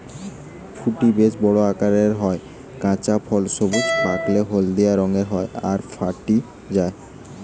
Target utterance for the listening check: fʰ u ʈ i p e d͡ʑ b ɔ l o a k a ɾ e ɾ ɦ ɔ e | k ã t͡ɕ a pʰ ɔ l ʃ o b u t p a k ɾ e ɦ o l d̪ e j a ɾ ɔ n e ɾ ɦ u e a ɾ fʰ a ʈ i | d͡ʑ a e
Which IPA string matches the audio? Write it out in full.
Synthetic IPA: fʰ u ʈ i b e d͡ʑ b ɔ ɽ o a k a ɾ e ɾ ɦ ɔ e | k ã t͡ɕ a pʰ ɔ l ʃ o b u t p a k l e ɦ o l d̪ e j a ɾ ɔ ŋ e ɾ ɦ ɔ e a ɾ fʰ a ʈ i | d͡ʑ a e

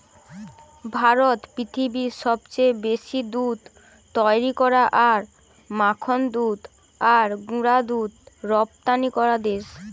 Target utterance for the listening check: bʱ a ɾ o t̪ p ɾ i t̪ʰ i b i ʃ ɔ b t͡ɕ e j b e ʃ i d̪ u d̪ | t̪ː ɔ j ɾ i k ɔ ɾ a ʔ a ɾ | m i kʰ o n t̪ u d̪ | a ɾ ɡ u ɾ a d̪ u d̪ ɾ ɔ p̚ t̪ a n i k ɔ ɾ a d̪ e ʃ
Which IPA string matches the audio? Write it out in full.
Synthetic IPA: bʱ a ɾ o t̪ p ɾ i t̪ʰ i b i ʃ ɔ b t͡ɕ e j b e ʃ i d̪ u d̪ | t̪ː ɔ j ɾ i k ɔ ɾ a ʔ a ɾ | m a kʰ o n d̪ u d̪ | a ɾ ɡ u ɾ a d̪ u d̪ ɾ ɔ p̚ t̪ a n i k ɔ ɾ a d̪ e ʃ

